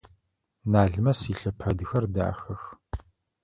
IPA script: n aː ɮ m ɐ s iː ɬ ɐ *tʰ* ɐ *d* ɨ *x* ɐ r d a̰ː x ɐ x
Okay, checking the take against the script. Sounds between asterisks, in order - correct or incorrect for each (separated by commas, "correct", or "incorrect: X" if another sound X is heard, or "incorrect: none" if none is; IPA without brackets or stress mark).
incorrect: pʰ, correct, correct